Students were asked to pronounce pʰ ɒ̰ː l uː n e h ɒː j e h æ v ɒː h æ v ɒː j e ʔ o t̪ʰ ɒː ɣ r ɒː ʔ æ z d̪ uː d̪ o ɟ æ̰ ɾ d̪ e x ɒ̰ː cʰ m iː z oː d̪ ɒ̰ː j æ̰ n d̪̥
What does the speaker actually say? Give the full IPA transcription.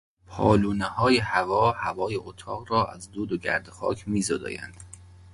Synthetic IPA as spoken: pʰ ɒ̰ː l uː n e h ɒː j e h æ v ɒː h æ v ɒː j e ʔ o t̪ʰ ɒː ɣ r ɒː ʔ æ z d̪ uː d̪ o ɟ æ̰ ɾ d̪ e x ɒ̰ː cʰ m iː z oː d̪ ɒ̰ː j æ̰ n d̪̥